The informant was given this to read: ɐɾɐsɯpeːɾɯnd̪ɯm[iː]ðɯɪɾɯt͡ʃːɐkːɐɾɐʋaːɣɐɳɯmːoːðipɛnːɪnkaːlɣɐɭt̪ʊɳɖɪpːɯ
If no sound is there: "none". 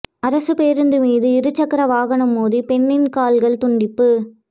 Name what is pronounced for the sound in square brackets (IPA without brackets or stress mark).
iː